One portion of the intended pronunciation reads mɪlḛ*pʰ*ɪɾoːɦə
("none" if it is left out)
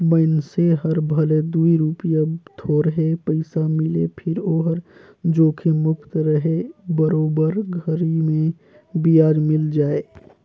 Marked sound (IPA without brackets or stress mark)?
pʰ